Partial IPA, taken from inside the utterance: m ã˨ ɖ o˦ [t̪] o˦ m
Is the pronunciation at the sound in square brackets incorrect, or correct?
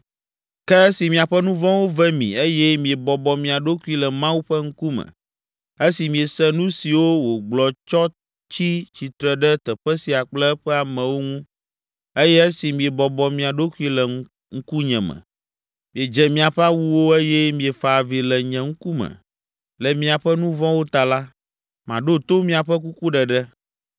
correct